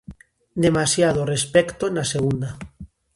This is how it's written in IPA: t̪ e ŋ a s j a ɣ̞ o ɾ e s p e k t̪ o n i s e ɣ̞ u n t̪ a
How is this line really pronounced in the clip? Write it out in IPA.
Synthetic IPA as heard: d̪ e m a s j a ð̞ o r e s p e k t̪ o n a s e ɣ̞ u n d̪ a